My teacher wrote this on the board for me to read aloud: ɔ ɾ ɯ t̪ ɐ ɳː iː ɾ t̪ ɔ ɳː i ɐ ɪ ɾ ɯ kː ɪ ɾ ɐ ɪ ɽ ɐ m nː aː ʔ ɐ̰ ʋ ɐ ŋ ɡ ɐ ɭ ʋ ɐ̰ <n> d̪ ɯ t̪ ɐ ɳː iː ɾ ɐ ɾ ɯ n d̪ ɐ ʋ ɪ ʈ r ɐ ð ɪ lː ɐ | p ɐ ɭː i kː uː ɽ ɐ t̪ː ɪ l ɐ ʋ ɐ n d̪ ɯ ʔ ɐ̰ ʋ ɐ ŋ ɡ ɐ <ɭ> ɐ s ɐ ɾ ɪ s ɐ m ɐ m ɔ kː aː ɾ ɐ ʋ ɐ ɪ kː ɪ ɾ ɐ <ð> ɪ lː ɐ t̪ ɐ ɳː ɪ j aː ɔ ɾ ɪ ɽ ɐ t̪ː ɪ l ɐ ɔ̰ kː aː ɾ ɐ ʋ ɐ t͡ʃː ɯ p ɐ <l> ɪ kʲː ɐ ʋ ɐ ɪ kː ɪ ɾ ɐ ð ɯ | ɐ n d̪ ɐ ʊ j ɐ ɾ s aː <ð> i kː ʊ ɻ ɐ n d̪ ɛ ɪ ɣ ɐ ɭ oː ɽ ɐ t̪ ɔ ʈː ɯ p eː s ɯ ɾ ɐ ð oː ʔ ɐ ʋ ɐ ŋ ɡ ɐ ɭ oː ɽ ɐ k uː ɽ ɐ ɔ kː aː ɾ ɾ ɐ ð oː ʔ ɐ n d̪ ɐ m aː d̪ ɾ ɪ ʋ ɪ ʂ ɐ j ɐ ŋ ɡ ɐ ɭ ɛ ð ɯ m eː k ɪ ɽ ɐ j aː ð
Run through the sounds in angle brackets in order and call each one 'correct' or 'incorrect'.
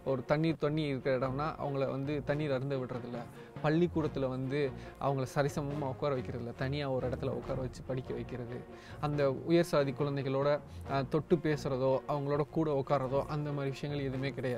correct, correct, correct, incorrect: ɽ, correct

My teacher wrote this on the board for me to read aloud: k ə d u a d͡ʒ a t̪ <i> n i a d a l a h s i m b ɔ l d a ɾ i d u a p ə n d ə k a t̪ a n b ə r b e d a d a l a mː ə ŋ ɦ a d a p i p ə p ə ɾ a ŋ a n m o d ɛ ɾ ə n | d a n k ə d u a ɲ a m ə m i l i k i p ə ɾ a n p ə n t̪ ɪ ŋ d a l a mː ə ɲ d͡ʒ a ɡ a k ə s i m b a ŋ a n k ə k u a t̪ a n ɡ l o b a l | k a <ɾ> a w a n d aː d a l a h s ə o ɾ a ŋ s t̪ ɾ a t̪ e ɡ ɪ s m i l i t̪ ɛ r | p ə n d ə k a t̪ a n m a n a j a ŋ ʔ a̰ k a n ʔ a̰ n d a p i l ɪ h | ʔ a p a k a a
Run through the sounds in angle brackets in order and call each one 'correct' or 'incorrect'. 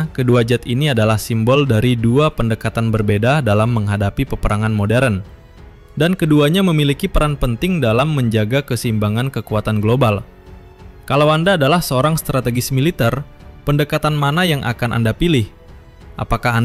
correct, incorrect: l

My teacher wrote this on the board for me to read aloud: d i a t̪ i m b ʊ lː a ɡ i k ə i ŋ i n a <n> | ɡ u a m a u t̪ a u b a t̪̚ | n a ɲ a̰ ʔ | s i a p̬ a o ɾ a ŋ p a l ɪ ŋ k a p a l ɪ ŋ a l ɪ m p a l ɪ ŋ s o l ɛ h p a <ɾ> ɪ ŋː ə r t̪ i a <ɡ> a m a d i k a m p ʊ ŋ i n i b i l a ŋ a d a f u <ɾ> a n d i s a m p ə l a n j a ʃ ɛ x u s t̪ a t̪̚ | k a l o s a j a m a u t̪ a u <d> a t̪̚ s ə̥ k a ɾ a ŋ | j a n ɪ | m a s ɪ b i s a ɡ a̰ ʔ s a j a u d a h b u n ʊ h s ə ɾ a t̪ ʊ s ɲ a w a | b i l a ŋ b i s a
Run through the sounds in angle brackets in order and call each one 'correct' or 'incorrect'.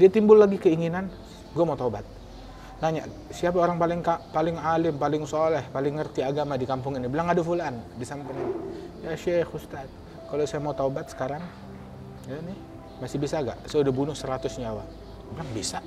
correct, incorrect: l, correct, incorrect: l, incorrect: b

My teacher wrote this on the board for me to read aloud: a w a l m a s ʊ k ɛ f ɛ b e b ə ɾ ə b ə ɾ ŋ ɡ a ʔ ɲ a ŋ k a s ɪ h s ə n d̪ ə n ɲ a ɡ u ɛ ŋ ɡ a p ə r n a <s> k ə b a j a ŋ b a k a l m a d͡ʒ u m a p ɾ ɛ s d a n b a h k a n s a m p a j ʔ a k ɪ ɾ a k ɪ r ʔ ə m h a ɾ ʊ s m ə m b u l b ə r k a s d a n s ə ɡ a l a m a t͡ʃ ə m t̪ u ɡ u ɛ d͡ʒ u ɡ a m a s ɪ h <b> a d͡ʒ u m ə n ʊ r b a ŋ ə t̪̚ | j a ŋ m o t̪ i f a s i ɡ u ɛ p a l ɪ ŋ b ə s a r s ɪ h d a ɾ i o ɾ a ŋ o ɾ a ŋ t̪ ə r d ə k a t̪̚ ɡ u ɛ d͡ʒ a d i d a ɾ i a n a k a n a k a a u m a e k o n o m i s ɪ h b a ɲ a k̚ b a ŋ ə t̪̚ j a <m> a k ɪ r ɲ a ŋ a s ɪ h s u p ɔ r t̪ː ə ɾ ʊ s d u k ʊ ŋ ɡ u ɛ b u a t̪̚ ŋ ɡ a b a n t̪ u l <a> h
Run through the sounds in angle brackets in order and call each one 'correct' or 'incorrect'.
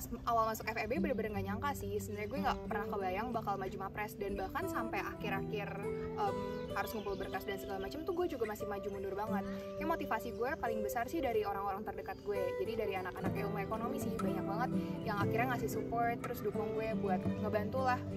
incorrect: h, incorrect: m, incorrect: ŋ, correct

